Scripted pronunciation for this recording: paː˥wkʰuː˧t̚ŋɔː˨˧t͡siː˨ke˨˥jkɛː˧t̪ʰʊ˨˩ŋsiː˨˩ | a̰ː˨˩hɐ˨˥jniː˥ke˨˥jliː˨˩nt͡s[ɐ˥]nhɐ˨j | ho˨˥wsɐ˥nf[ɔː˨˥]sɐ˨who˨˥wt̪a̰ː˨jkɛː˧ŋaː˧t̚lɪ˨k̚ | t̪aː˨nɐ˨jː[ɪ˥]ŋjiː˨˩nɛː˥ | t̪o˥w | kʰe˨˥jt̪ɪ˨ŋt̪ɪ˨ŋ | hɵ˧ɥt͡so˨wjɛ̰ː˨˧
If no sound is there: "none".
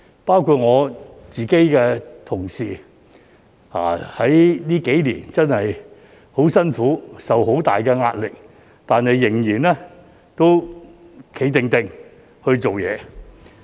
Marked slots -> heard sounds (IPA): ɐ˥, uː˨˥, ɪ˨˩

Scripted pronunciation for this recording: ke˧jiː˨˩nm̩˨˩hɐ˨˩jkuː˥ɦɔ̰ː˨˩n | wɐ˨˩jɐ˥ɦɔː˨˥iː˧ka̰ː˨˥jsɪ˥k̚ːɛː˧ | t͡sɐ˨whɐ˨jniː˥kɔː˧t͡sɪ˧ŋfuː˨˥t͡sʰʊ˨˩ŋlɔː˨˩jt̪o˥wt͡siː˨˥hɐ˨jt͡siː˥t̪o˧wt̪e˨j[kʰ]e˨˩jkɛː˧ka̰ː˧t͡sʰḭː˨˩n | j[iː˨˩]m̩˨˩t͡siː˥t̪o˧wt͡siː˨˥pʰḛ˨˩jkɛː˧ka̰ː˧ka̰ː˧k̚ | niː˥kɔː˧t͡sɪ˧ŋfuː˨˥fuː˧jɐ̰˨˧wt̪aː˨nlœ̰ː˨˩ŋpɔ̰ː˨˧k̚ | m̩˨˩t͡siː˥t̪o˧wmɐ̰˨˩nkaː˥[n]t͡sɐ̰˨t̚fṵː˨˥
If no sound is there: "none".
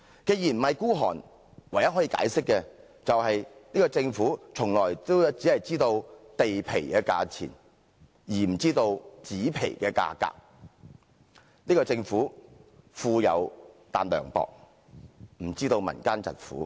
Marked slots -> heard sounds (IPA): pʰ, iː˨˩, n

